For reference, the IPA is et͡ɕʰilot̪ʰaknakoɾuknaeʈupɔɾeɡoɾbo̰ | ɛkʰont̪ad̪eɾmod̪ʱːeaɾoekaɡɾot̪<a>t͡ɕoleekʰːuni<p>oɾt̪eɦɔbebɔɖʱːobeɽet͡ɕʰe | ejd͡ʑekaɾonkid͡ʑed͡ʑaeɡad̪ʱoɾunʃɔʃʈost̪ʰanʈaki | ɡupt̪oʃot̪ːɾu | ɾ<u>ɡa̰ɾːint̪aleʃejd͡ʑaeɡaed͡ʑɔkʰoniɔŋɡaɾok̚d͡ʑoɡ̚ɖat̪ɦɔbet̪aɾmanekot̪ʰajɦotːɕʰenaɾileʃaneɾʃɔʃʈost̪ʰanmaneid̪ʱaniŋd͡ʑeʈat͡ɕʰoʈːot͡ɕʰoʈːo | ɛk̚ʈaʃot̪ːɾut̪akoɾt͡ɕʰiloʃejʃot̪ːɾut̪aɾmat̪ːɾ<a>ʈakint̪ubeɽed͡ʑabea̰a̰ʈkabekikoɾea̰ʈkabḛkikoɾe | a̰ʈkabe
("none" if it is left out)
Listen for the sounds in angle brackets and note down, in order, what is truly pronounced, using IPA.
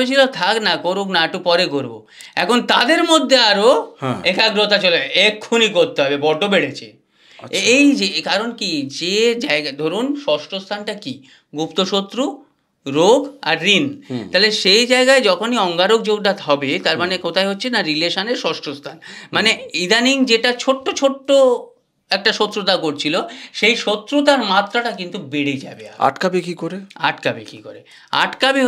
a, k, o, a

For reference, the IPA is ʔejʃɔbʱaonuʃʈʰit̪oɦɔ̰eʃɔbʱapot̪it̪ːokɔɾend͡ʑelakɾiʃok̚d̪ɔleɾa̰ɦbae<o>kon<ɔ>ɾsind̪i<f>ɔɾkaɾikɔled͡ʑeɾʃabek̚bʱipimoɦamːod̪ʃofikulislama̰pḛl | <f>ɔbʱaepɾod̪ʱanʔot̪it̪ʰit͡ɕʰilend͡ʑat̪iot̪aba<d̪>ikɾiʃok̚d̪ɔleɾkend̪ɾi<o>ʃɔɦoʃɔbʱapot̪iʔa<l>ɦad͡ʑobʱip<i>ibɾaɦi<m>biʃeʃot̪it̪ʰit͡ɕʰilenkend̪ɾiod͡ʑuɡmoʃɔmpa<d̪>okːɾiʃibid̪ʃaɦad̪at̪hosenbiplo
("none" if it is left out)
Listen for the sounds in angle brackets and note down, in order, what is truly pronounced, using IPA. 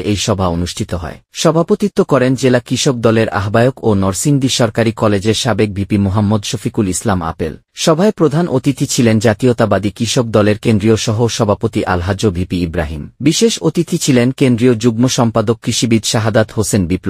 o, ɔ, ʃ, ʃ, d̪, o, l, i, m, d̪

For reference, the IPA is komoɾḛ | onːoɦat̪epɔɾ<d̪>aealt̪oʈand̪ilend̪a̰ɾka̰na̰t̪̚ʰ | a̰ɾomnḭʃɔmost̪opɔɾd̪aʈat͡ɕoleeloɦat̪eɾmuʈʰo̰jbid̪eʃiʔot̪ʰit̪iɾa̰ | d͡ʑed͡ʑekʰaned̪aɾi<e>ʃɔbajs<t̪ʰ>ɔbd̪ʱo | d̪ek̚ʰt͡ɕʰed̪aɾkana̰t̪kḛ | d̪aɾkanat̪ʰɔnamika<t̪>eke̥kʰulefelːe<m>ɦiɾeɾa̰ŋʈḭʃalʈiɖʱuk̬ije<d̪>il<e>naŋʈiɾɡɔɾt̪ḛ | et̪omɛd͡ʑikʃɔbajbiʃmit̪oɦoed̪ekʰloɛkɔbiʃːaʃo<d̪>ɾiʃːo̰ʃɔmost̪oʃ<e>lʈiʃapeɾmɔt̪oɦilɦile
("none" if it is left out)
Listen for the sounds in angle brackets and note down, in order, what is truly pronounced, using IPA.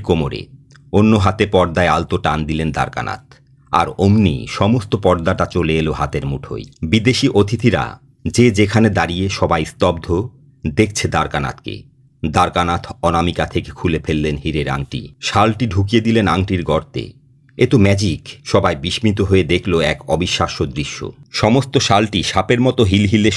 d̪, e, t̪, t̪ʰ, n, d̪, e, d̪, a

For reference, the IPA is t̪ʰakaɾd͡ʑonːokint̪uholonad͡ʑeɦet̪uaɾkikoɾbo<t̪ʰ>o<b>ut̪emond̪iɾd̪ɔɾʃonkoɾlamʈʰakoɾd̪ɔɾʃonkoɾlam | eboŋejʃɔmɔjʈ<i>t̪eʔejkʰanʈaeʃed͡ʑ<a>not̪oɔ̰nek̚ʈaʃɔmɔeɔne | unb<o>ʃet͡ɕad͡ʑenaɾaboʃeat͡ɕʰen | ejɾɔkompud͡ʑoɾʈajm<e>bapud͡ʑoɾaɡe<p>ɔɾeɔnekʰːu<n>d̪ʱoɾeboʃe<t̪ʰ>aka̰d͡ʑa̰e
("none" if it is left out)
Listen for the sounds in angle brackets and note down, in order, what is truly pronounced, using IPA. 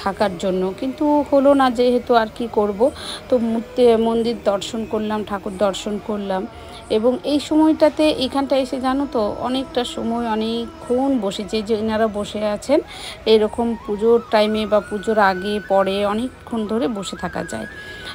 t̪, m, a, a, o, e, p, n, t̪ʰ

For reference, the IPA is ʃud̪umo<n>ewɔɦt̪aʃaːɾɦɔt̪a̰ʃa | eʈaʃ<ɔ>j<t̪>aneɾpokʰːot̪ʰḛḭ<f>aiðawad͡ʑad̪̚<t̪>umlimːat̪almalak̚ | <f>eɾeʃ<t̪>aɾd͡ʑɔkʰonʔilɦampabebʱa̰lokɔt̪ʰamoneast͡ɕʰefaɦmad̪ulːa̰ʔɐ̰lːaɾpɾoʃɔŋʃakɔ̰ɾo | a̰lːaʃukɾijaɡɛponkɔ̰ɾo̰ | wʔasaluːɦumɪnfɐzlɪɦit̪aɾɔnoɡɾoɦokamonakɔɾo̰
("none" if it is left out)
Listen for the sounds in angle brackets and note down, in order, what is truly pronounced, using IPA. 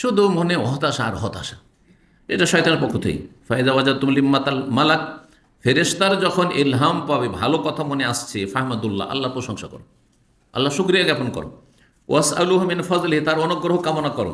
n, ɔ, t̪, f, t̪, f, t̪

